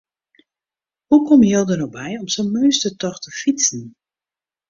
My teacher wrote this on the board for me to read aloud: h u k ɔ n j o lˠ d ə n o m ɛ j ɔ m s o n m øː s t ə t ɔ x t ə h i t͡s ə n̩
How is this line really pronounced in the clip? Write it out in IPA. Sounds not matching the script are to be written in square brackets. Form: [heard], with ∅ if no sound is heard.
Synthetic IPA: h u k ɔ [m] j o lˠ d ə n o [b] ɛ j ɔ m s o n m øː s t ə t ɔ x t ə [f] i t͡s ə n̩